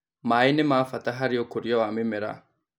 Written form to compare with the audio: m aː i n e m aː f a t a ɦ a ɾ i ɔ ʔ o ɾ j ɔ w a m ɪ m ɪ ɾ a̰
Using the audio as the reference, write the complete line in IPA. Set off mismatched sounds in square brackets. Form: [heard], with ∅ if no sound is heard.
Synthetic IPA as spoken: m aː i n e m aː f a t a ɦ a ɾ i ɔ [k] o ɾ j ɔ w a m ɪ m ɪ ɾ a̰

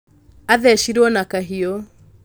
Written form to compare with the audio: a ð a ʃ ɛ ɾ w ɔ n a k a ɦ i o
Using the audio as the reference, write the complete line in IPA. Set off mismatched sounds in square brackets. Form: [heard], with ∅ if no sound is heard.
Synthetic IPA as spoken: a ð [ɛ] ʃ [i] ɾ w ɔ n a k a ɦ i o

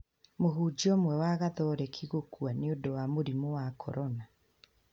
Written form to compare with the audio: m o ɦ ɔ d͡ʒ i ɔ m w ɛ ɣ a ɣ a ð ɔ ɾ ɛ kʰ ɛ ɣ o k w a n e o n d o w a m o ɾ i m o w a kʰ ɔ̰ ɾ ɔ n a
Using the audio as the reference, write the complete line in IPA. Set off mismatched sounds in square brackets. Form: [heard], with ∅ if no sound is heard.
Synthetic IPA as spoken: m o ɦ [u] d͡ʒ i ɔ m w ɛ [w] a ɣ a ð ɔ ɾ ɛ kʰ [i] ɣ o k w a n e o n d o w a m o ɾ i m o w a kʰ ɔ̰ ɾ ɔ n a

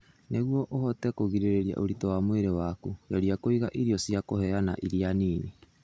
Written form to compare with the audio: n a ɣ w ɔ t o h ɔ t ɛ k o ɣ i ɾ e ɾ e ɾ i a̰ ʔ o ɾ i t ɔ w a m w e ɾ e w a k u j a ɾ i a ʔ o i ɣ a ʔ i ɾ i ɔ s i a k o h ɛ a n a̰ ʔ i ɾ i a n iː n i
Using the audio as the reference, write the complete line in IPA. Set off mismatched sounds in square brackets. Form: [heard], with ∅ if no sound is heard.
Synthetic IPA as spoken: n [e] ɣ w ɔ [ʔ] o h ɔ t ɛ k o ɣ i ɾ e ɾ e ɾ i a̰ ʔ o ɾ i t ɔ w a m w e ɾ e w a k u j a ɾ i a [k] o i ɣ a ʔ i ɾ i ɔ s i a k o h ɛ a n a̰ ʔ i ɾ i a n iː n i

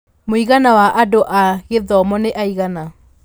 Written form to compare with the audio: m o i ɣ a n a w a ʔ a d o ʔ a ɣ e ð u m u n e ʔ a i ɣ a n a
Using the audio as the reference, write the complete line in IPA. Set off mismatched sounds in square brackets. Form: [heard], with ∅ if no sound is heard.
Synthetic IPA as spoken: m o i ɣ a n a w a ʔ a d o ʔ a ɣ e ð [ɔ] m [ɔ] n e ʔ a i ɣ a n a

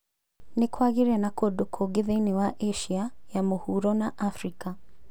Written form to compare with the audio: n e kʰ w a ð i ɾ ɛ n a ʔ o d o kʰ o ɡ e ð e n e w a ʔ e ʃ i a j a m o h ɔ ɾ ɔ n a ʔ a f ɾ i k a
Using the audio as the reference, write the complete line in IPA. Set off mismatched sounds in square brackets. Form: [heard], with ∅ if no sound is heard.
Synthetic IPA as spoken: n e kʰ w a [ɣ] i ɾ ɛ n a [k] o d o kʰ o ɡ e ð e n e w a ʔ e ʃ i a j a m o h [u] ɾ ɔ n a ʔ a f ɾ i k a

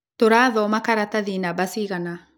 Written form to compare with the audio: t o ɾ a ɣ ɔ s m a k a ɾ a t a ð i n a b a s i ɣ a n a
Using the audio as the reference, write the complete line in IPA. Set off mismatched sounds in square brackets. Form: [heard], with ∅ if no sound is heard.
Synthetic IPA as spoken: t o ɾ a [ð] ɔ [∅] m a k a ɾ a t a ð i n a b a s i ɣ a n a

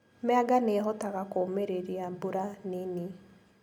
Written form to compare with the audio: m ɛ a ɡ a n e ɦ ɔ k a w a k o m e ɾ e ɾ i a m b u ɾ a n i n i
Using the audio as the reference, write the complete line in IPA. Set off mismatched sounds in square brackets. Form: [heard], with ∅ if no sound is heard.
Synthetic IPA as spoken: m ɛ a ɡ a n e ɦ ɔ [t] a [ɣ] a k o m e ɾ e ɾ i a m b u ɾ a n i n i

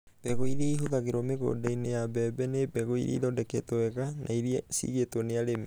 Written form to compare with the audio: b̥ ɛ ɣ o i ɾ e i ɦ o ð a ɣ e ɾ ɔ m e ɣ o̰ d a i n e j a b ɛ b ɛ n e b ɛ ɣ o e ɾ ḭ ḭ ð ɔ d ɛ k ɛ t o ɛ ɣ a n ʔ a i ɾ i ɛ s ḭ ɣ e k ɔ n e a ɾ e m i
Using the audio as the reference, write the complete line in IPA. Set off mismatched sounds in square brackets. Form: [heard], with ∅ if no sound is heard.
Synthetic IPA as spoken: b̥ ɛ ɣ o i ɾ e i ɦ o ð a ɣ e ɾ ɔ m e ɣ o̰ d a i n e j a b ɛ b ɛ n e b ɛ ɣ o [i] ɾ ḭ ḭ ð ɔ d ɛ k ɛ t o ɛ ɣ a n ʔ a i ɾ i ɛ s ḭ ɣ e [t] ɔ n e a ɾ e m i

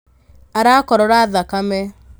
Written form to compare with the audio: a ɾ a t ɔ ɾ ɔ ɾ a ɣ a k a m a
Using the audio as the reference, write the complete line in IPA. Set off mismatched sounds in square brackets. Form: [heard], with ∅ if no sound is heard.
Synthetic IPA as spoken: a ɾ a [k] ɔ ɾ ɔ ɾ a [ð] a k a m [ɛ]

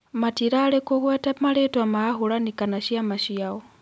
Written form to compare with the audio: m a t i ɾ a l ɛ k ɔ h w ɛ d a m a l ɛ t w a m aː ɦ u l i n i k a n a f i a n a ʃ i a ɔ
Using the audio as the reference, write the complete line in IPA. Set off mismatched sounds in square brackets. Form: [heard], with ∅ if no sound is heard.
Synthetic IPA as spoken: m a t i ɾ a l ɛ k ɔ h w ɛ [t] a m a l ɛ t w a m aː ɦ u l [a] n i k a n a [ʃ] i a [m] a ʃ i a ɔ

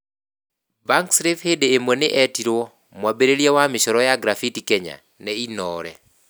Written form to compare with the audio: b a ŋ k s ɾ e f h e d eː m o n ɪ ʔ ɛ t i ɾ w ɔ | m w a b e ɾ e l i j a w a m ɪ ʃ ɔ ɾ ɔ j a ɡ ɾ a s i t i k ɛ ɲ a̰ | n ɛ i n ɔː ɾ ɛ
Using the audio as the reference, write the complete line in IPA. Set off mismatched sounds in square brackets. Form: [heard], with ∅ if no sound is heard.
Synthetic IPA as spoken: b a ŋ k s ɾ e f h e d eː m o n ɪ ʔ ɛ t i ɾ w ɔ | m w a b e ɾ e l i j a w a m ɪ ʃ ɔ ɾ ɔ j a ɡ ɾ a [f] i t i k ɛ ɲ a̰ | n ɛ i n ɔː ɾ ɛ

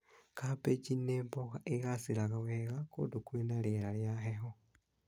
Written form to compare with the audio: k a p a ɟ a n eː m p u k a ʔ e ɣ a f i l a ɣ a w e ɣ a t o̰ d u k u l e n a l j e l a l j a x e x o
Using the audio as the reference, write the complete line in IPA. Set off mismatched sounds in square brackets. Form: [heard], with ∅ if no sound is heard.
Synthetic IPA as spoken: k a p [e] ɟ [i] n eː m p [o] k a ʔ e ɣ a [s] i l a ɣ a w e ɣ a [k] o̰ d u k u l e n a l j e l a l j a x e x o

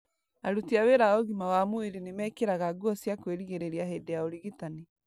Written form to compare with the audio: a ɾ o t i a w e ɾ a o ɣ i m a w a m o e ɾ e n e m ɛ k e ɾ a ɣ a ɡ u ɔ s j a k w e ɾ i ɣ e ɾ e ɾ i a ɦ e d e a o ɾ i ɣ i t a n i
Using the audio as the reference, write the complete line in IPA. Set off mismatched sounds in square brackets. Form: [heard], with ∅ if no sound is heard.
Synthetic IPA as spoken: a ɾ [u] t i a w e ɾ a o ɣ i m a w a m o e ɾ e n e m ɛ k e ɾ a ɣ a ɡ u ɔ s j a k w e ɾ i ɣ e ɾ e ɾ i a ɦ e d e a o ɾ i ɣ i t a n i

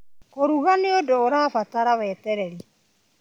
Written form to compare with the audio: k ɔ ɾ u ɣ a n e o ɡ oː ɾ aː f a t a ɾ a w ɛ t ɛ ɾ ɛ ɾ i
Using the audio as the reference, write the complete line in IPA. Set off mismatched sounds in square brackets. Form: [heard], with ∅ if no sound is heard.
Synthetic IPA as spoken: k [o] ɾ u ɣ a n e o [d] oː ɾ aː f a t a ɾ a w ɛ t ɛ ɾ ɛ ɾ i

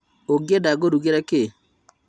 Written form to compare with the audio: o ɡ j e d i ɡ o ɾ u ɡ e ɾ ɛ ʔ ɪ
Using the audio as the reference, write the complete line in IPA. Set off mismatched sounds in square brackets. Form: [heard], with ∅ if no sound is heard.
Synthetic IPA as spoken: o ɡ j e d [a] ɡ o ɾ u ɡ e ɾ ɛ [k] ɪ

